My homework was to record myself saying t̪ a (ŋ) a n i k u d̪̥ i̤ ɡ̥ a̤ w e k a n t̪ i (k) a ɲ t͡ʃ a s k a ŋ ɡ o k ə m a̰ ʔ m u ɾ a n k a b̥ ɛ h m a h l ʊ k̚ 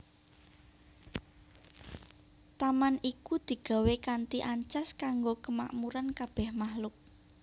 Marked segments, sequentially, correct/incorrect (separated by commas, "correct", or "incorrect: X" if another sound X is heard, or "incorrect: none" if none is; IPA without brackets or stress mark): incorrect: m, incorrect: ʔ